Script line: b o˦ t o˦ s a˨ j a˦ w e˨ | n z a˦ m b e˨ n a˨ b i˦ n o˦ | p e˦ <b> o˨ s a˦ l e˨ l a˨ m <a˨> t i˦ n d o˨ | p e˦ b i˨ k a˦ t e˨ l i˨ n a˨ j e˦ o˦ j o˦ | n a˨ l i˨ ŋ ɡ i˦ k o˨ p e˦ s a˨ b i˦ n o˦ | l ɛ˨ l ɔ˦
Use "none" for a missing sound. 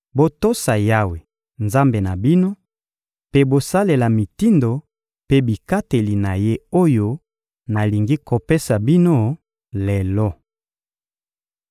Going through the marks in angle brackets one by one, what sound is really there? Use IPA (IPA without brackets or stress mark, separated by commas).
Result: b, i˨